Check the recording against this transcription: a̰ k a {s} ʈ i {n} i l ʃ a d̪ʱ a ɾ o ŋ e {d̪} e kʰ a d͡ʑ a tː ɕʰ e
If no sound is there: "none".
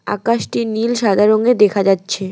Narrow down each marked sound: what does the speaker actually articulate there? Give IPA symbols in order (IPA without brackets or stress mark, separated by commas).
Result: ʃ, n, d̪